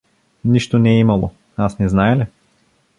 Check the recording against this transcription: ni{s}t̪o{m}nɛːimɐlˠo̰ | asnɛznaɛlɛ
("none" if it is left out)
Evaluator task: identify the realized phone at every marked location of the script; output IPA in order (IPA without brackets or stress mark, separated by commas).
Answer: ʃ, none